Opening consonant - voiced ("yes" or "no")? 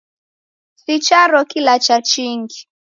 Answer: no